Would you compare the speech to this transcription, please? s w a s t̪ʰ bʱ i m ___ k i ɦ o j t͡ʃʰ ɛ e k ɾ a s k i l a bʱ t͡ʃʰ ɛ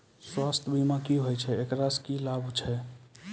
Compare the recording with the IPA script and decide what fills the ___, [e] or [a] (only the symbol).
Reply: a